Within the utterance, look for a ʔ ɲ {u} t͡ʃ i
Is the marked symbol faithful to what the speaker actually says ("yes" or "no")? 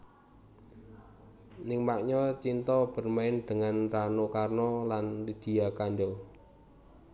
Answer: no